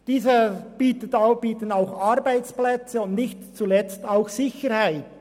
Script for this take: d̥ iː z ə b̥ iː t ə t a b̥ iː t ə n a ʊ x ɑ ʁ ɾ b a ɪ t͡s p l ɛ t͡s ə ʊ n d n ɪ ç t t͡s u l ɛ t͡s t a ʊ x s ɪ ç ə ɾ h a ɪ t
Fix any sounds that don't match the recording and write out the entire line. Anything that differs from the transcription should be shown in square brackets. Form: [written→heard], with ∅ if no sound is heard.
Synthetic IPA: d̥ iː z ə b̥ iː t ə t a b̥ iː t ə n a ʊ x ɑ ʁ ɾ b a ɪ t͡s p l ɛ t͡s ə ʊ n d n ɪ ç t t͡s u l ɛ t͡s t a ʊ x s ɪ ç ə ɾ h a ɪ t